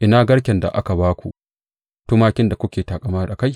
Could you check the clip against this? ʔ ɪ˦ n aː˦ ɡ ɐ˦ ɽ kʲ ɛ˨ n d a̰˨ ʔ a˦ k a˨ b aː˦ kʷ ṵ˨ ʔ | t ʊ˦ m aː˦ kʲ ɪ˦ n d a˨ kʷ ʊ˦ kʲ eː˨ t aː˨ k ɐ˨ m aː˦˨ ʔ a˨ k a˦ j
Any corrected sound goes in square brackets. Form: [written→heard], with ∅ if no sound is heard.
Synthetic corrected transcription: ʔ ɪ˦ n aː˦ ɡ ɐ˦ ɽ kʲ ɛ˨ n d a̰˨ ʔ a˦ k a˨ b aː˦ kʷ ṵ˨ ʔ | t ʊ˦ m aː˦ kʲ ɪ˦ n d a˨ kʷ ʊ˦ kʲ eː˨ t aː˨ [k→kʼ] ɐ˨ m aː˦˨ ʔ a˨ k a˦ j